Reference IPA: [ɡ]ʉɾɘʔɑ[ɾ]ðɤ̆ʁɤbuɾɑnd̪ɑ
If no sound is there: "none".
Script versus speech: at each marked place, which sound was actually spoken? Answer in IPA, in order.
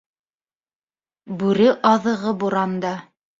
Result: b, none

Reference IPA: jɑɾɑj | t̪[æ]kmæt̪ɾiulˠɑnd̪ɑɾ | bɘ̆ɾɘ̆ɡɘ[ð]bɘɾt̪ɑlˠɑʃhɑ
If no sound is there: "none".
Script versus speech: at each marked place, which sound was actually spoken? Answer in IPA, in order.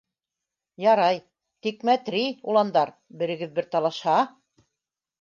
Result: i, ð

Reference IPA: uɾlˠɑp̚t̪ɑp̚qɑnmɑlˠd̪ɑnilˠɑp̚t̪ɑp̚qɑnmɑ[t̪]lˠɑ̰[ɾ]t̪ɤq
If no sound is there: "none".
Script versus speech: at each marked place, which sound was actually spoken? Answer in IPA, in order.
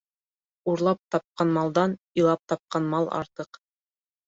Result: none, ɾ

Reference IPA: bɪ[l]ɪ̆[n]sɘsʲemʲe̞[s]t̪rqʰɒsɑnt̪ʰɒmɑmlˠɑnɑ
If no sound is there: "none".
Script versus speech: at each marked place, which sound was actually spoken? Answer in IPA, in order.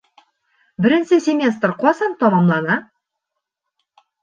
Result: ɾ, n, s

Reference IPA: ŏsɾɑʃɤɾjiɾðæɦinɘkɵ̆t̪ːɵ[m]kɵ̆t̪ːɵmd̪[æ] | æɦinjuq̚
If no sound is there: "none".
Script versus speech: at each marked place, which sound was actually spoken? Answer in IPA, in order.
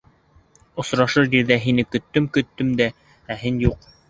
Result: m, æ

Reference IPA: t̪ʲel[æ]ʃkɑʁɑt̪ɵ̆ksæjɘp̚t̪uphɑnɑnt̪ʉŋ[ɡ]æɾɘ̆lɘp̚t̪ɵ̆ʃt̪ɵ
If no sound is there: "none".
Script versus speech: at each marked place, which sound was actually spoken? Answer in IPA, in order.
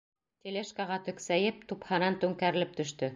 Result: e, k

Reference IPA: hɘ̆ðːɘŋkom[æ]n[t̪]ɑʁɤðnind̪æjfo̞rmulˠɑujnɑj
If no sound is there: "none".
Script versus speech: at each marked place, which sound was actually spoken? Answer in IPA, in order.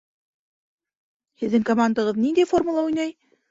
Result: a, d̪

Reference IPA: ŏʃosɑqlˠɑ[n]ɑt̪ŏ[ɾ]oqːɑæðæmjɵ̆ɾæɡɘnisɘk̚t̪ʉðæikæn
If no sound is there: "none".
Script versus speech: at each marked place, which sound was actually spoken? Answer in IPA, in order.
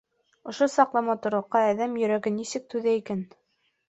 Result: m, ɾ

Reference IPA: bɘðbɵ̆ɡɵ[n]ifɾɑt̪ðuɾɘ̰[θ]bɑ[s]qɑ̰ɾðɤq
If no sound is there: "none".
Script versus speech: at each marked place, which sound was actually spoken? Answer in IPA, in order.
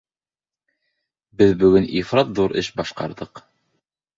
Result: n, ʃ, ʃ

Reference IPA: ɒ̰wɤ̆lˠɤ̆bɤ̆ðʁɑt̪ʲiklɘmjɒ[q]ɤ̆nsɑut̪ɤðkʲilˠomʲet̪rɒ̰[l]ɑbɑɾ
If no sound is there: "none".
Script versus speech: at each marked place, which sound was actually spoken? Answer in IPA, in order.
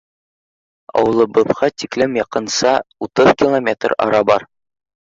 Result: q, ɾ

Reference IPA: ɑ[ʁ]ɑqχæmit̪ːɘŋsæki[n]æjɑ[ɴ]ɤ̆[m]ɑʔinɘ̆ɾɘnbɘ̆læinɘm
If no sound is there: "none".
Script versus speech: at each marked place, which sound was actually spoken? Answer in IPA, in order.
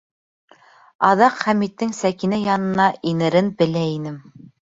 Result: ð, n, n, n

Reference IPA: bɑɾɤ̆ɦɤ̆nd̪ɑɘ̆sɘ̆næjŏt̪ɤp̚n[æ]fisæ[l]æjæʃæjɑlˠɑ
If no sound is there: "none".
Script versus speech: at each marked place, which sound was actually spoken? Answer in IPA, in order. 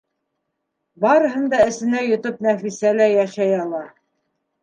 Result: æ, l

